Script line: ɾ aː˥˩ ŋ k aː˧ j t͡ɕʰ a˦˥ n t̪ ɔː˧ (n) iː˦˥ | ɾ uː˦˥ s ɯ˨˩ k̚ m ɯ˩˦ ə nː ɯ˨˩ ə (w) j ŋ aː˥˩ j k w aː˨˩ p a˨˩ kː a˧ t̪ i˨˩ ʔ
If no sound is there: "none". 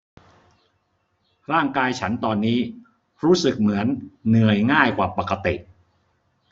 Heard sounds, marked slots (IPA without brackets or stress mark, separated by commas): nː, none